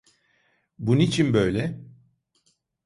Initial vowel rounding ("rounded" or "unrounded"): rounded